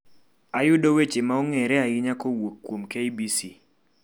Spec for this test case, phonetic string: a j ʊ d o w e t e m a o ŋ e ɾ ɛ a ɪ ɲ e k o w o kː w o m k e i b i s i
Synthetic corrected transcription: a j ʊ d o w e t͡ʃ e m a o ŋ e ɾ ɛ a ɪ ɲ a k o w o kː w o m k e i b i s i